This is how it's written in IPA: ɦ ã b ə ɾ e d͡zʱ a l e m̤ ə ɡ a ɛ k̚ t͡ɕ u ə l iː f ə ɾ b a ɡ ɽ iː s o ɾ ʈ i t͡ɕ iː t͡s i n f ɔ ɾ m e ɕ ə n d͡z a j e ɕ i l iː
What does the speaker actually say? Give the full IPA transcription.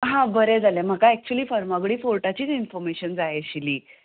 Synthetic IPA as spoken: ɦ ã b ə ɾ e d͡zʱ a l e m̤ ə k a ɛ k̚ t͡ɕ u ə l iː f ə ɾ m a ɡ ɽ iː f o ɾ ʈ a t͡ɕ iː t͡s i n f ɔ ɾ m e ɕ ə n d͡z a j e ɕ i l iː